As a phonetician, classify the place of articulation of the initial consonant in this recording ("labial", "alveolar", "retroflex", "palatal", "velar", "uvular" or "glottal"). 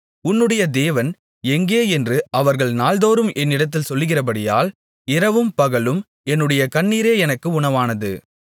alveolar